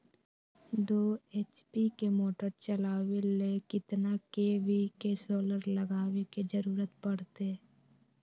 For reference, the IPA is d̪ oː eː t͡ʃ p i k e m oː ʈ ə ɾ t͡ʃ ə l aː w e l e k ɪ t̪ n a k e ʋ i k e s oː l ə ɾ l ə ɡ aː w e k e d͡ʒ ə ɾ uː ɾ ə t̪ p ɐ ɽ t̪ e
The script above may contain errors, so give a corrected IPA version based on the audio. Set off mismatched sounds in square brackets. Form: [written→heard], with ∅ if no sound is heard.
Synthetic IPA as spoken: d̪ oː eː t͡ʃ p i k e m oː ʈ ə ɾ t͡ʃ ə l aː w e l e k ɪ t̪ n a k e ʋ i k e s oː l ə ɾ l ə ɡ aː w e k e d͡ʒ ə ɾ uː ɾ ə t̪ p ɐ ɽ t̪ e

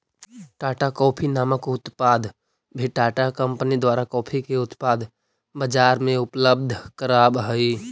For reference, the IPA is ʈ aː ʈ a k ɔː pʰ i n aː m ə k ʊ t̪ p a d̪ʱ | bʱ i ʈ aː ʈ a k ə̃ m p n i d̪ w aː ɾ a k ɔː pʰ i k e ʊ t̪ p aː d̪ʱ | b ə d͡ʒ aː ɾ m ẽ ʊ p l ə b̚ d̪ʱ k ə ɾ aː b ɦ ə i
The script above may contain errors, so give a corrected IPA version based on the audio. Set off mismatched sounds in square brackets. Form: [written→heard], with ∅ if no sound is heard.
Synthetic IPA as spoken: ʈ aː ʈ a k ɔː pʰ i n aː m ə k ʊ t̪ p a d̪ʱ | bʱ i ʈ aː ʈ a k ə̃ m p n i d̪ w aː ɾ a k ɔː pʰ i k e ʊ t̪ p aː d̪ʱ | b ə d͡ʒ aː ɾ m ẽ ʊ p l ə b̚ d̪ʱ k ə ɾ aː b ɦ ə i

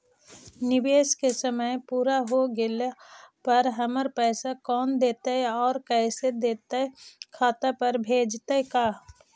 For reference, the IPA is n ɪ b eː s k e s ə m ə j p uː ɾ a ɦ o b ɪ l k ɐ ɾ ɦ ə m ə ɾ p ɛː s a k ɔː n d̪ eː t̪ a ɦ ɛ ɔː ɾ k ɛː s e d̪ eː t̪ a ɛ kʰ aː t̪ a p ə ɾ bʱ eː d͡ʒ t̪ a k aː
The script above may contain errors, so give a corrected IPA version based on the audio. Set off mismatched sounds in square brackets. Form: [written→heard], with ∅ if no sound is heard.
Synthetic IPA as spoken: n ɪ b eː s k e s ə m ə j p uː ɾ a ɦ o [b→ɡ] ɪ l [k→p] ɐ ɾ ɦ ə m ə ɾ p ɛː s a k ɔː n d̪ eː t̪ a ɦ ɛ ɔː ɾ k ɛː s e d̪ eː t̪ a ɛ kʰ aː t̪ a p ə ɾ bʱ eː d͡ʒ t̪ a k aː

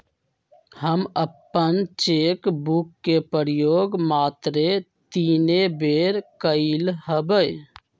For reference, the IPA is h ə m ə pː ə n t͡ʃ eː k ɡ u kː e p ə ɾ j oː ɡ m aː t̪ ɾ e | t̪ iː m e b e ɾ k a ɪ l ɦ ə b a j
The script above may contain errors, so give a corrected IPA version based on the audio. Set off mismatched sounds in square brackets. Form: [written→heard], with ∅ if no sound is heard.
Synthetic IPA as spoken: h ə m ə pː ə n t͡ʃ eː k [ɡ→b] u kː e p ə ɾ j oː ɡ m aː t̪ ɾ e | t̪ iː [m→n] e b e ɾ k [a→ə] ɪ l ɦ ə b [a→ə] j

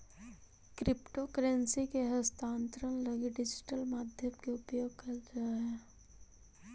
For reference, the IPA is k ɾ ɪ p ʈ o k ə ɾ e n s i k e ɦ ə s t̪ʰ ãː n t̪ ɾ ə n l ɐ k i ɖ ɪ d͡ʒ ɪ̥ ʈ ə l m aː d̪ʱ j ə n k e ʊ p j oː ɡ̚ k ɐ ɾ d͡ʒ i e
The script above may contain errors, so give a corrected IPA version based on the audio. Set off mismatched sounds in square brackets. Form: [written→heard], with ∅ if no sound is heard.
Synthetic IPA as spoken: k ɾ ɪ p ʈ o k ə ɾ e n s i k e ɦ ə s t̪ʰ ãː n t̪ ɾ ə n l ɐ [k→ɡ] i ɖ ɪ d͡ʒ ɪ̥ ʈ ə l m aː d̪ʱ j ə [n→m] k e ʊ p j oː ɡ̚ k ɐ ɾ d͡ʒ [i→a] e

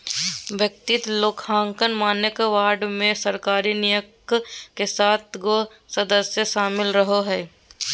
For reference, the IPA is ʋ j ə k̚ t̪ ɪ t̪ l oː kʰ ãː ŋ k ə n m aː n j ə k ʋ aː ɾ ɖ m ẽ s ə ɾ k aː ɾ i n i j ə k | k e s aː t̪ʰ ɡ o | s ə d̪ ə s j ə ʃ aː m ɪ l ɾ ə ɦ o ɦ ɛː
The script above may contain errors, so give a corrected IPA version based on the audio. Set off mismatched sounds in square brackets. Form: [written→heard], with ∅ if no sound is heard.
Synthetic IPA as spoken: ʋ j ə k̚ t̪ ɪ t̪ l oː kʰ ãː ŋ k ə n m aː n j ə k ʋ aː ɾ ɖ m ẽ s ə ɾ k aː ɾ i n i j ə k | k e s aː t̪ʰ ɡ o | s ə d̪ ə s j ə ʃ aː m ɪ l ɾ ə ɦ o ɦ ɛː

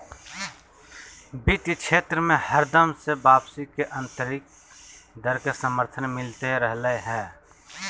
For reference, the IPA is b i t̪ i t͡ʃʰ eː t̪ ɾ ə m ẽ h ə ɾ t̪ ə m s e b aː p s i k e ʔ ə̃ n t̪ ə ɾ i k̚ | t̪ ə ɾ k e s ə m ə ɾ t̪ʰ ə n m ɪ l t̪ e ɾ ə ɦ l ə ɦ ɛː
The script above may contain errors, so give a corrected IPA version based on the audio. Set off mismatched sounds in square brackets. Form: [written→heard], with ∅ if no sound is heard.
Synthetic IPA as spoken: b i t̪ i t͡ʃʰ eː t̪ ɾ ə m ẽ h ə ɾ [t̪→d̪] ə m s e b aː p s i k e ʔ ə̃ n t̪ ə ɾ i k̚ | [t̪→d̪] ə ɾ k e s ə m ə ɾ t̪ʰ ə n m ɪ l t̪ e ɾ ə ɦ l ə ɦ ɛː

